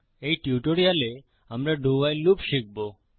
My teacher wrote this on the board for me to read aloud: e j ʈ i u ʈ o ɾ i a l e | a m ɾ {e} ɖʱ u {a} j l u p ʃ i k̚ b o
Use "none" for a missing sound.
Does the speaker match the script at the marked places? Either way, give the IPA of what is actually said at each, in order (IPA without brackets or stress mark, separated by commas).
a, a